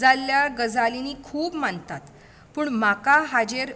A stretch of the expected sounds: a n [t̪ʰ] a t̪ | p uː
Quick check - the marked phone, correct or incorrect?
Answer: incorrect: t̪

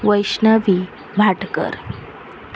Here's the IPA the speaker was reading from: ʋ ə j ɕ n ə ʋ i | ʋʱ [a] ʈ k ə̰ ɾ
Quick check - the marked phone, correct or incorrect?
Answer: correct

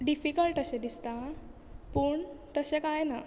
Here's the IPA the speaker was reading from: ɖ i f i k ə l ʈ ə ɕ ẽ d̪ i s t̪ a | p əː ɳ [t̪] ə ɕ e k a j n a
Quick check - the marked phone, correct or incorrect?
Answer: correct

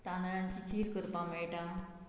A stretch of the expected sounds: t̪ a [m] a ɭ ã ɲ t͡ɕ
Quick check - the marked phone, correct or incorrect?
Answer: incorrect: n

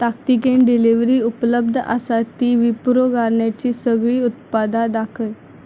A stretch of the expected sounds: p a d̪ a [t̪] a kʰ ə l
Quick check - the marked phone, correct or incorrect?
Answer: incorrect: d̪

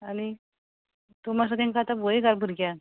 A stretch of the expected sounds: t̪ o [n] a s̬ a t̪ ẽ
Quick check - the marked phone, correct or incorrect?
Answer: incorrect: m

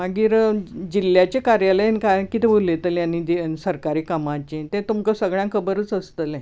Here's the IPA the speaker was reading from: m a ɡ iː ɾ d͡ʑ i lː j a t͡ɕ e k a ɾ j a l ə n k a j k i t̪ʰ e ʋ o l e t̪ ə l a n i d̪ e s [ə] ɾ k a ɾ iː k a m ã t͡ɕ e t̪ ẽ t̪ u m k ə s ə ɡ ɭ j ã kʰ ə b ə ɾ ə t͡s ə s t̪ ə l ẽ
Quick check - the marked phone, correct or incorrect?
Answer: correct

